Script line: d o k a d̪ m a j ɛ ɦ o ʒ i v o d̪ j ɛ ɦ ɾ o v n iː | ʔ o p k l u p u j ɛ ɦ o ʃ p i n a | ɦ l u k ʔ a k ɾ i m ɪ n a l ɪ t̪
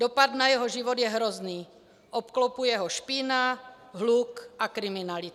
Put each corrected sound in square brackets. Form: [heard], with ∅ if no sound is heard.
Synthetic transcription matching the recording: d o [p] a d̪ [n] a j ɛ ɦ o ʒ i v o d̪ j ɛ ɦ ɾ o [z] n iː | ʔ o p k l [o] p u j ɛ ɦ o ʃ p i n a | ɦ l u k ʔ a k ɾ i m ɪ n a l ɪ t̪